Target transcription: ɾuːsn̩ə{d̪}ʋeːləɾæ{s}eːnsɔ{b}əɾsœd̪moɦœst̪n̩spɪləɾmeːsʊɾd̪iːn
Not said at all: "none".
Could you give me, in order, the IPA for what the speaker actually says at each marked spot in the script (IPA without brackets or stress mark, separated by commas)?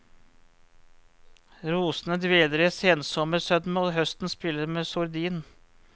d̪, s, m